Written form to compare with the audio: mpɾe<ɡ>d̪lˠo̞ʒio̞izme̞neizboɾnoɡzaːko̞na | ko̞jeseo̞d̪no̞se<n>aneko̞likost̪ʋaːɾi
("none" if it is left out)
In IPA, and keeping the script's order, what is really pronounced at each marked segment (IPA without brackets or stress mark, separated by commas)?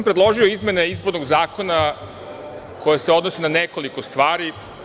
none, n